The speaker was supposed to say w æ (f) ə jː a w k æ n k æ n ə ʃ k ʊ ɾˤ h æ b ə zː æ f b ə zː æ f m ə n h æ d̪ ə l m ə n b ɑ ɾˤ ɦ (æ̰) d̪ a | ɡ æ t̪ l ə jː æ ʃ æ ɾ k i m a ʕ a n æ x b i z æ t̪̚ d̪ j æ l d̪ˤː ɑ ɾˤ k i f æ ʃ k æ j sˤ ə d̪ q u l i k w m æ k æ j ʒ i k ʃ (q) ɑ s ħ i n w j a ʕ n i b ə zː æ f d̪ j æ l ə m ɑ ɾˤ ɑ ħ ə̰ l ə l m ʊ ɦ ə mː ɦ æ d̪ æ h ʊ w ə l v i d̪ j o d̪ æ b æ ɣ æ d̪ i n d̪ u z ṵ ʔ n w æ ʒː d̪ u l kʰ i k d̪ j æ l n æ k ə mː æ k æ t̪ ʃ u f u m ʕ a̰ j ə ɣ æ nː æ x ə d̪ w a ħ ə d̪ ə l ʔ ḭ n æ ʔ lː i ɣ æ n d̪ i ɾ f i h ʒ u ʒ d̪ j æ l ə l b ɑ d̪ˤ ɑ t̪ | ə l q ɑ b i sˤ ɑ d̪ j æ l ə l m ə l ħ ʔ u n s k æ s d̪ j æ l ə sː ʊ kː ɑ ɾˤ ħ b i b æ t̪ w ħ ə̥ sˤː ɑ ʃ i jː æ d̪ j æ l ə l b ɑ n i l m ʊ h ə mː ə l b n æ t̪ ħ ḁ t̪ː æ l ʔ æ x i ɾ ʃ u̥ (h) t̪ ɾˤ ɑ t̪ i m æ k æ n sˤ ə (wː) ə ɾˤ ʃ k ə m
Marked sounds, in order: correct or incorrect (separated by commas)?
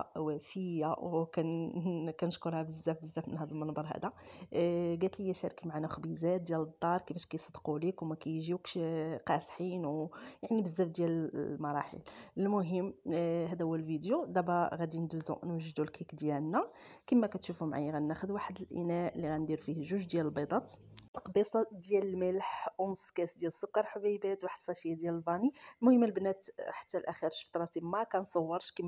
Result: correct, correct, correct, incorrect, correct